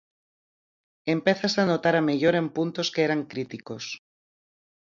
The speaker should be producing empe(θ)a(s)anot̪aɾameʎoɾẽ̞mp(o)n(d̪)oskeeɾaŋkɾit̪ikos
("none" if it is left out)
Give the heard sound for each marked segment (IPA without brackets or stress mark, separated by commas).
θ, s, u, t̪